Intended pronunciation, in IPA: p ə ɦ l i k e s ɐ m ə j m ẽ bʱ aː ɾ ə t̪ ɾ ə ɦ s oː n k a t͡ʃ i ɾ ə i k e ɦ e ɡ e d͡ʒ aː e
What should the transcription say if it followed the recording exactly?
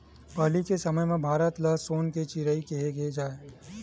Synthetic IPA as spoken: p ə ɦ l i k e s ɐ m ə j m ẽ bʱ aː ɾ ə t̪ l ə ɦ s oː n k e t͡ʃ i ɾ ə i k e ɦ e ɡ e d͡ʒ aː e